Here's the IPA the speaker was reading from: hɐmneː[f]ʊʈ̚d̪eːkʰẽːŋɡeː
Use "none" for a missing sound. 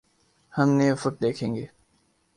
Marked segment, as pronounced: f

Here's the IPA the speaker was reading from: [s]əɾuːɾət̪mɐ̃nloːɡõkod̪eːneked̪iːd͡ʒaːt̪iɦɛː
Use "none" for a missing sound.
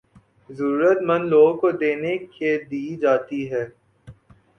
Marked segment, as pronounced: z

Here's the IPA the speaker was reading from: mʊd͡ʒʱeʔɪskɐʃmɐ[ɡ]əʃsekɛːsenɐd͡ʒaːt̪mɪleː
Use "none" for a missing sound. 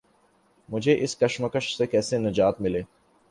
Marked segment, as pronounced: k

